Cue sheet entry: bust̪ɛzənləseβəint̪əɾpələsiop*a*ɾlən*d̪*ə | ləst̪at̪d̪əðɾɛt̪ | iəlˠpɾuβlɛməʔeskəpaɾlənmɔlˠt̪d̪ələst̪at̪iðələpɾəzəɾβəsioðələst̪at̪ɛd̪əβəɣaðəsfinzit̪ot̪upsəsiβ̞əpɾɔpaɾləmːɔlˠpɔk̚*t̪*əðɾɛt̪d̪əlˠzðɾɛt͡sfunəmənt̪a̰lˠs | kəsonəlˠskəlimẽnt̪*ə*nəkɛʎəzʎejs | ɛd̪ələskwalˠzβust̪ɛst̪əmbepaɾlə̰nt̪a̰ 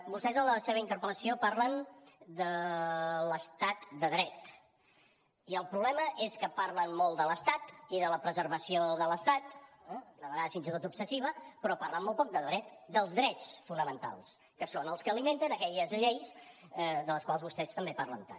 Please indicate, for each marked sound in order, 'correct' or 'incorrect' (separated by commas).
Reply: correct, correct, incorrect, correct